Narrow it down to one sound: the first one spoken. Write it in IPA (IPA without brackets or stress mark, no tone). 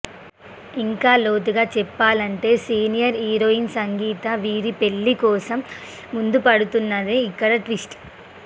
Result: i